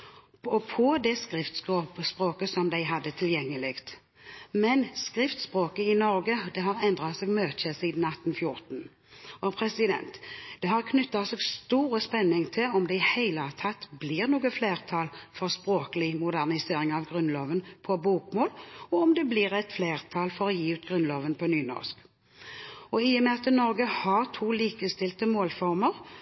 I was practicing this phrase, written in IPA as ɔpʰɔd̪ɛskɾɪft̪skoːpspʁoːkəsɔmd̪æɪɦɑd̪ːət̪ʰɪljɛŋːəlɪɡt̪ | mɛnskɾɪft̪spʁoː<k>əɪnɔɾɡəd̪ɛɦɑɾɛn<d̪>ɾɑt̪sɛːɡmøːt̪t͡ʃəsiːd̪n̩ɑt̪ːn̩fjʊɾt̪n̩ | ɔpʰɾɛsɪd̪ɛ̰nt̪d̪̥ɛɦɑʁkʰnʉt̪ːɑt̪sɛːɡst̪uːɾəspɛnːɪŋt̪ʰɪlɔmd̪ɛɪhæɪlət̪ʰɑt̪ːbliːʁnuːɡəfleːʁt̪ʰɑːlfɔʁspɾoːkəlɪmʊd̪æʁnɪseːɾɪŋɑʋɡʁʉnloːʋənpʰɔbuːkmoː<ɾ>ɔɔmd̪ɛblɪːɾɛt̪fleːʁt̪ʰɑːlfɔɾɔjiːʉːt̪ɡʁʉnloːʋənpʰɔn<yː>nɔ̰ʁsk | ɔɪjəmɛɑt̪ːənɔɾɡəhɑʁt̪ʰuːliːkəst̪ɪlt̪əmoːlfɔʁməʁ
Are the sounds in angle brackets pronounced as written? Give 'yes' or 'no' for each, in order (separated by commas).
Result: yes, yes, no, yes